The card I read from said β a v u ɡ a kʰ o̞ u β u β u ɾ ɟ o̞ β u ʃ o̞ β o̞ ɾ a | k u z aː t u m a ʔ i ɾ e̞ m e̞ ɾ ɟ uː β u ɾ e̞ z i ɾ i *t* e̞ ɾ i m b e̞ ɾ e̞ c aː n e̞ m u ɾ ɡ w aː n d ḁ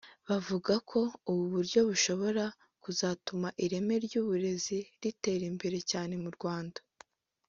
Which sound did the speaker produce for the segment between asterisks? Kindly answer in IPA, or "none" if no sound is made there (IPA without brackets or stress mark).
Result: t